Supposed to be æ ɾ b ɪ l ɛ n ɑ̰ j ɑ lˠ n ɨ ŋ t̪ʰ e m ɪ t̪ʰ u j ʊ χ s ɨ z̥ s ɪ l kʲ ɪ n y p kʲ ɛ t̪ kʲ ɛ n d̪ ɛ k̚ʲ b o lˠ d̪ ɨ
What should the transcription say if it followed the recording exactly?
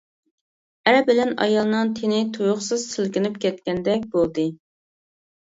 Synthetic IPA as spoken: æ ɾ b ɪ l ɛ n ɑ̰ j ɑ lˠ n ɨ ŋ t̪ʰ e n ɪ t̪ʰ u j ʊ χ s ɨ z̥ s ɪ l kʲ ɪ n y p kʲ ɛ t̪ kʲ ɛ n d̪ ɛ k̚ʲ b o lˠ d̪ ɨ